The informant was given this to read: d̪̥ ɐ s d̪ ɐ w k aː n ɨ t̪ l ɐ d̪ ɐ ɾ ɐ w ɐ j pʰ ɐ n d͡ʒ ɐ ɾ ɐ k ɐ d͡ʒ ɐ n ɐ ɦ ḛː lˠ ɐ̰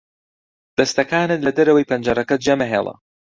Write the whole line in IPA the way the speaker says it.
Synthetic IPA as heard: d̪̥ ɐ s t̪ ɐ k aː n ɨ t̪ l ɐ d̪ ɐ ɾ ɐ w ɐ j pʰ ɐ n d͡ʒ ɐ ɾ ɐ k ɐ d͡ʒ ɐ m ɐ ɦ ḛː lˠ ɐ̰